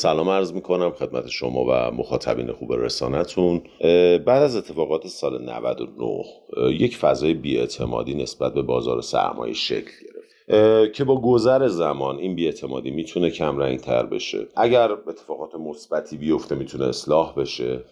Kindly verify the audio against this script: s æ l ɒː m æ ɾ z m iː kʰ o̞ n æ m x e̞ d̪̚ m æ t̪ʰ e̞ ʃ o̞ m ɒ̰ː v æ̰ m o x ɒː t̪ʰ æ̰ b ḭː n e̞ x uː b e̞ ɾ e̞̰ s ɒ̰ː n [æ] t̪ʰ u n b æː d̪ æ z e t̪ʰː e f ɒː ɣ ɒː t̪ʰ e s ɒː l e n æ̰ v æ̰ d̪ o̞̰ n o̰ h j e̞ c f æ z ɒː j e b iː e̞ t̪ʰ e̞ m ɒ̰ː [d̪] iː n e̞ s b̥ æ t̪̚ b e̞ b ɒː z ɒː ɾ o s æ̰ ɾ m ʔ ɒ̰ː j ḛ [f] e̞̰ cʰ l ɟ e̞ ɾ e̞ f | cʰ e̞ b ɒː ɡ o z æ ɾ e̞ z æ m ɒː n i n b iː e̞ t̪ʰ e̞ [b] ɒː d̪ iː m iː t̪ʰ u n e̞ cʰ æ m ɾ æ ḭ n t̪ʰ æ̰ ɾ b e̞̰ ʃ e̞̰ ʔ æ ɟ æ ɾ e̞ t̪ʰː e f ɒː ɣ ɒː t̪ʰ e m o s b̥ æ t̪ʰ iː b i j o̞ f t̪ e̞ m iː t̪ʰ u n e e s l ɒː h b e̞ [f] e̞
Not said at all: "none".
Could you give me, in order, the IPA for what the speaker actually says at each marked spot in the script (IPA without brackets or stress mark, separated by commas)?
æ, d̪, ʃ, m, ʃ